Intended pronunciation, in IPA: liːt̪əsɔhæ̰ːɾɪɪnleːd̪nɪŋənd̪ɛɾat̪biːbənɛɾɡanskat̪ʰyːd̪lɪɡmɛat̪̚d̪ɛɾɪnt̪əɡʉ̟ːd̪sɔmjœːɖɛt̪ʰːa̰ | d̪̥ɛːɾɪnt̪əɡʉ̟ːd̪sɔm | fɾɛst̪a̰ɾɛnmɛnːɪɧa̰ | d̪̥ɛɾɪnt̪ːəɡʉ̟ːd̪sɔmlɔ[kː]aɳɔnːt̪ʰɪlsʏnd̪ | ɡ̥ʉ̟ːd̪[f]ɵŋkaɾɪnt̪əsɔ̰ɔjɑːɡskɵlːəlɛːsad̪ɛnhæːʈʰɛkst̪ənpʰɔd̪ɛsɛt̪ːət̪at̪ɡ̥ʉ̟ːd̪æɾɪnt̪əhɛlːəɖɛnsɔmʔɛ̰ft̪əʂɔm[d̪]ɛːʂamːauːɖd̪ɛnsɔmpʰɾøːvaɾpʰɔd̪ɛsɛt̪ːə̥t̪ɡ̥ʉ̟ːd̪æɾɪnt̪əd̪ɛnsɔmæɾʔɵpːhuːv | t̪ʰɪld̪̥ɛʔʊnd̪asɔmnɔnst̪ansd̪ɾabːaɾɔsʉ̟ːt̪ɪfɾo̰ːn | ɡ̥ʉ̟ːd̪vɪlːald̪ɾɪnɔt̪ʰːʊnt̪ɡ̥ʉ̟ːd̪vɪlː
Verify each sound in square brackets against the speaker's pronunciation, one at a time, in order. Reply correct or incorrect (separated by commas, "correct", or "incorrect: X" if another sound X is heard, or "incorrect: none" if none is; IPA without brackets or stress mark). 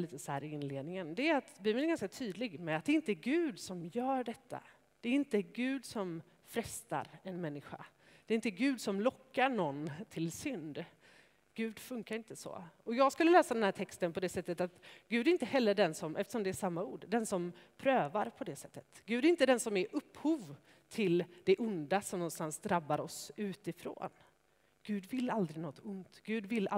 correct, correct, correct